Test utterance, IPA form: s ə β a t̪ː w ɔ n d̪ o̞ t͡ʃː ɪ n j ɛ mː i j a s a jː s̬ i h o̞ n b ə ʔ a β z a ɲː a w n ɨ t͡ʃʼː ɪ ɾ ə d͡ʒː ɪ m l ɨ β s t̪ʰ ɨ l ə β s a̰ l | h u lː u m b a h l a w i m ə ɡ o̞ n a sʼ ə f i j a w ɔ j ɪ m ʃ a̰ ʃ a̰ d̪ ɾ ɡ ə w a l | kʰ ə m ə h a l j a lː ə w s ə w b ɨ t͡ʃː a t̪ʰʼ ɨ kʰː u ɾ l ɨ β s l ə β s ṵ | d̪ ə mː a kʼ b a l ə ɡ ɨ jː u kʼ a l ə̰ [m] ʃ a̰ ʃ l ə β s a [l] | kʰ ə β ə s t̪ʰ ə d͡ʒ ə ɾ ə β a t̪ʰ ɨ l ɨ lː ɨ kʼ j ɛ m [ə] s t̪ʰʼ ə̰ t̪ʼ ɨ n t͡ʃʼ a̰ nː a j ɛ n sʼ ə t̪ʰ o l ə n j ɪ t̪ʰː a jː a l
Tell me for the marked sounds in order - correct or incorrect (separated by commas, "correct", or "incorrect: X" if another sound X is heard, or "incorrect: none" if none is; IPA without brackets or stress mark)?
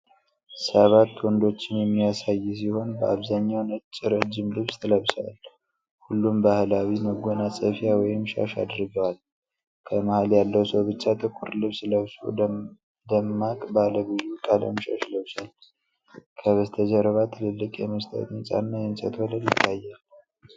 correct, correct, correct